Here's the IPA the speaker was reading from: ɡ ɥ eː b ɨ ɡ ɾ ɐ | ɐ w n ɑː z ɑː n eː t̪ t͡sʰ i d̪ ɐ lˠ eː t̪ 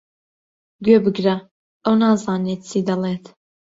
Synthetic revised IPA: ɡ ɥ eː b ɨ ɡ ɾ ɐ | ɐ w n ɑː z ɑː n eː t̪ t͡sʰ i d̪ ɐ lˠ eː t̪